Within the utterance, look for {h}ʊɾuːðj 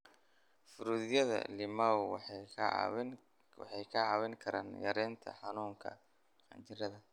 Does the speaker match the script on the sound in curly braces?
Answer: no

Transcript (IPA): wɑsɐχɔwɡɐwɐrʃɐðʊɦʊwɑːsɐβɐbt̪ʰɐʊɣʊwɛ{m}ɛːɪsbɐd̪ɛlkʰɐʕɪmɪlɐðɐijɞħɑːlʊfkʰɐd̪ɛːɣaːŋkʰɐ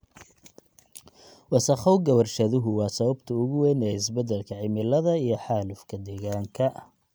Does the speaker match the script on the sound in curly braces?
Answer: no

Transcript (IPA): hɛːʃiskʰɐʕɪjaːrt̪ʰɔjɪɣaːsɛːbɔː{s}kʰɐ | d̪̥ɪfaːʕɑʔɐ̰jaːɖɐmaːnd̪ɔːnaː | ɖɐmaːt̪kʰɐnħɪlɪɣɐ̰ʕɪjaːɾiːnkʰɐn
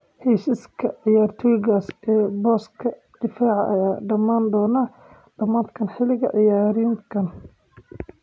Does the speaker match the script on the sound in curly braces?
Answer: yes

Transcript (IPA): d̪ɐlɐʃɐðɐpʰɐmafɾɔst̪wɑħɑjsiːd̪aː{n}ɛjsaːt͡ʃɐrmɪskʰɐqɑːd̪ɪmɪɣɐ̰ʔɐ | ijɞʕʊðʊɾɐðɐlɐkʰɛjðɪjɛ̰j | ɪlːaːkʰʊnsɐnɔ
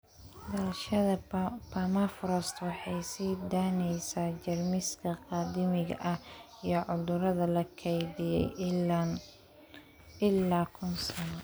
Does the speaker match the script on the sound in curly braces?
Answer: yes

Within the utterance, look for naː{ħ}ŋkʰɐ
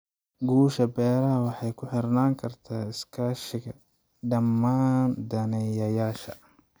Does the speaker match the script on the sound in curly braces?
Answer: no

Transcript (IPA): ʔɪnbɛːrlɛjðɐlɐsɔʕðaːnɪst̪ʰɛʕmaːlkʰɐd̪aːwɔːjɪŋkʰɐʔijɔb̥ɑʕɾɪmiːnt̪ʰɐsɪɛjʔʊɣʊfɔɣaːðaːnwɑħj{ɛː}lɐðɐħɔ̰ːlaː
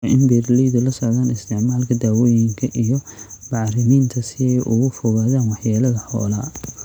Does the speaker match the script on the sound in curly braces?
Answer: no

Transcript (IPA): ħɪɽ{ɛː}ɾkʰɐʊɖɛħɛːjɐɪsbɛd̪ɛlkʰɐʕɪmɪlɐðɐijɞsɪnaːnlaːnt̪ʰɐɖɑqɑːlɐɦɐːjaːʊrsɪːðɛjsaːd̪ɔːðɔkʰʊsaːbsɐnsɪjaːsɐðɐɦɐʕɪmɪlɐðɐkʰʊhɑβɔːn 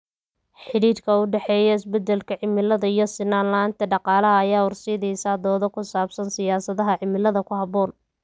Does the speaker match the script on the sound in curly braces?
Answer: no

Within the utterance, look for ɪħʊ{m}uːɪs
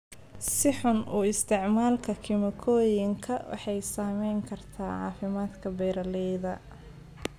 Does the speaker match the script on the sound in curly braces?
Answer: no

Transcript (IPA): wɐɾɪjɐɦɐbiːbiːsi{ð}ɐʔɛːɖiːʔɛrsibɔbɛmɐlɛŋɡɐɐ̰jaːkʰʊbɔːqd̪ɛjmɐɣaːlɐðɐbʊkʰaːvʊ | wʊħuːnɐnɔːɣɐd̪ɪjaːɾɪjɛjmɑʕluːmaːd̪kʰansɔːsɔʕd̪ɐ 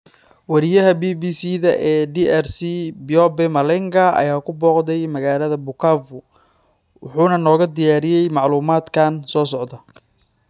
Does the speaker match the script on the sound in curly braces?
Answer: yes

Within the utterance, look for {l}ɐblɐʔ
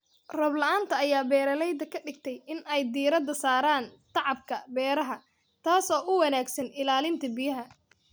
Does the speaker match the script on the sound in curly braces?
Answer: no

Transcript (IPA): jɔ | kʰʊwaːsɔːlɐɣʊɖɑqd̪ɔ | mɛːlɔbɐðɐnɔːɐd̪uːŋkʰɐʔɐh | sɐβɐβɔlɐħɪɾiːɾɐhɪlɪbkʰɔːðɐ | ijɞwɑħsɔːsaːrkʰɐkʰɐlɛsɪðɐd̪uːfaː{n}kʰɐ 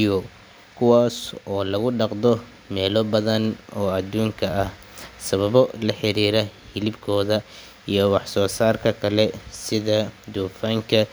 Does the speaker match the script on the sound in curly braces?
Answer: no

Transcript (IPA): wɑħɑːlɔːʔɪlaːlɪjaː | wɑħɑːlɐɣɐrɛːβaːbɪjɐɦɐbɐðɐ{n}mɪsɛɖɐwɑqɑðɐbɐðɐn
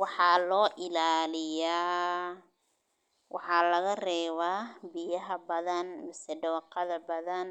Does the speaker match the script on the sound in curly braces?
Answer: yes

